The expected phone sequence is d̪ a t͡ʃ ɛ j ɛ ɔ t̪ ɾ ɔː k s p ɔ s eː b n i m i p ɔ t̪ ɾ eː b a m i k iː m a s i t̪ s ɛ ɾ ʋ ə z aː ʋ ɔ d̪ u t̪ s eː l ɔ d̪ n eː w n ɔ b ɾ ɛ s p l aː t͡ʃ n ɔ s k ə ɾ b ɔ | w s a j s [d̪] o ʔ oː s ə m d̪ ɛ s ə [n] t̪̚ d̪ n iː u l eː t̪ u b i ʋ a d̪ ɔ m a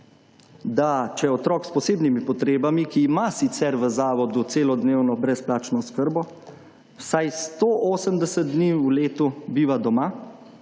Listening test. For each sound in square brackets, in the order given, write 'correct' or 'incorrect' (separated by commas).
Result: incorrect, incorrect